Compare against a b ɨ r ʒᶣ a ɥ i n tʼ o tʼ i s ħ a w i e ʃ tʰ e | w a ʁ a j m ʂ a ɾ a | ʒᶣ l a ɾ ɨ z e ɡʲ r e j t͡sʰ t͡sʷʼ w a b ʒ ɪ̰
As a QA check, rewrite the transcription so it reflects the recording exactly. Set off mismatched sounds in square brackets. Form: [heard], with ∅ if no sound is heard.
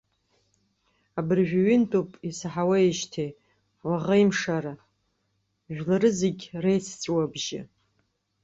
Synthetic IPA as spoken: a b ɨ r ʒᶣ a ɥ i n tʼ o [pʼ] i s ħ a w [a] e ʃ tʰ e | w a ʁ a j m ʂ a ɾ a | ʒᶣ l a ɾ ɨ z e ɡʲ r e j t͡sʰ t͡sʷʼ w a b ʒ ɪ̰